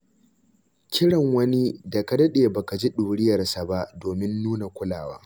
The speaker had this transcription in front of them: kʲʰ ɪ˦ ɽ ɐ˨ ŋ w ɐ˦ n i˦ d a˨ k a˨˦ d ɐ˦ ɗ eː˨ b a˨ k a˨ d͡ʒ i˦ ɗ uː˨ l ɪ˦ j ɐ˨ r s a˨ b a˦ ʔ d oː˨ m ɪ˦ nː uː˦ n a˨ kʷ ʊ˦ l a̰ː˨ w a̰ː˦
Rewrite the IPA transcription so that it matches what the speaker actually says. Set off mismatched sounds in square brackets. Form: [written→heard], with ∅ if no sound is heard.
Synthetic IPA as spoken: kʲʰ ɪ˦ ɽ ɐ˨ ŋ w ɐ˦ n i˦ d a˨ k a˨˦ d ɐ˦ ɗ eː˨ b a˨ k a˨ d͡ʒ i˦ ɗ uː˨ [l→ɽ] ɪ˦ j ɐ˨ r s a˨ b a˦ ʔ d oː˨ m ɪ˦ nː uː˦ n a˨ kʷ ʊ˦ l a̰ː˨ w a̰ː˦